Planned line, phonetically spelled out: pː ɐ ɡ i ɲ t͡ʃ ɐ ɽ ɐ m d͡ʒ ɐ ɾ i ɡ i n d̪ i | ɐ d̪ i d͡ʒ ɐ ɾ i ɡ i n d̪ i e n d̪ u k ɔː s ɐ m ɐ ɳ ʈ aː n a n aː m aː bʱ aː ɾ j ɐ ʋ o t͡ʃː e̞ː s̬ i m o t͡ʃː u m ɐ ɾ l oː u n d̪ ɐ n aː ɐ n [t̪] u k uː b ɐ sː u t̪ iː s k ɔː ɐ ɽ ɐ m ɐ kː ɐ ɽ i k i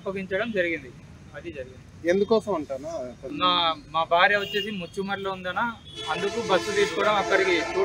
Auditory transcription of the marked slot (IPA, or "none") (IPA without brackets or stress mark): d̪